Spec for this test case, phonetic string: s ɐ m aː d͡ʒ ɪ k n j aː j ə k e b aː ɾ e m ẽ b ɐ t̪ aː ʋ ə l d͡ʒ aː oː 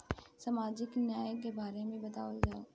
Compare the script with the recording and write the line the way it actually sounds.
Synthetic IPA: s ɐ m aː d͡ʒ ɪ k n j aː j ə k e b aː ɾ e m ẽ b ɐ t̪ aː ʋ ə l d͡ʒ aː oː